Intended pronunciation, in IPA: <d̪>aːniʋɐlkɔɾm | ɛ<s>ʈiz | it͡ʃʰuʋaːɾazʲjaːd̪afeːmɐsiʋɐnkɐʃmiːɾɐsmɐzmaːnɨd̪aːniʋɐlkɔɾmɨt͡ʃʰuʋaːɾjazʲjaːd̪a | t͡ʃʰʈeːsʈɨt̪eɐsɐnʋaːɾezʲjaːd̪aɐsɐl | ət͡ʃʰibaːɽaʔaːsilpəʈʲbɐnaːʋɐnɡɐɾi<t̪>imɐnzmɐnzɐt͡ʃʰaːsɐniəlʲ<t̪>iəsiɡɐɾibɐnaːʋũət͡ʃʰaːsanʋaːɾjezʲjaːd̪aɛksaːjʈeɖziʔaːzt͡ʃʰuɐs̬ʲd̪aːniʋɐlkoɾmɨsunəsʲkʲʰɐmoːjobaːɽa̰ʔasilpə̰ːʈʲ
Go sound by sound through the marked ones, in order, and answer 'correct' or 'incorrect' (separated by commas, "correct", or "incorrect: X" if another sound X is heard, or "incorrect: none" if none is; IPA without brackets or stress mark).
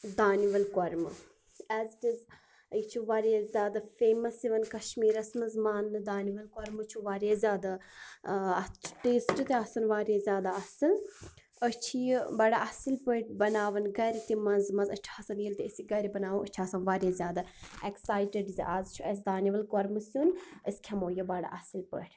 correct, incorrect: z, correct, correct